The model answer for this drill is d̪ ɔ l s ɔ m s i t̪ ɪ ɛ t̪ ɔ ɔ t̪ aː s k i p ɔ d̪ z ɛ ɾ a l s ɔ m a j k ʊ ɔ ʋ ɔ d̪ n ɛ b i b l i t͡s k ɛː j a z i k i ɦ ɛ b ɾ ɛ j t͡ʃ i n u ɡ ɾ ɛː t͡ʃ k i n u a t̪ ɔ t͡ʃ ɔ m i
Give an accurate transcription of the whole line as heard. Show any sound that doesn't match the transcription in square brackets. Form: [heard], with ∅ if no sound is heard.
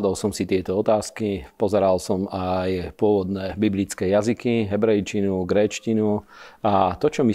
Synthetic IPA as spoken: d̪ ɔ l s ɔ m s i t̪ ɪ ɛ t̪ ɔ ɔ t̪ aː s k i p ɔ [∅] z ɛ ɾ a l s ɔ m a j [p] ʊ ɔ ʋ ɔ d̪ n ɛ b i b l i t͡s k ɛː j a z i k i ɦ ɛ b ɾ ɛ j t͡ʃ i n u ɡ ɾ ɛː t͡ʃ [c] i n u a t̪ ɔ t͡ʃ ɔ m i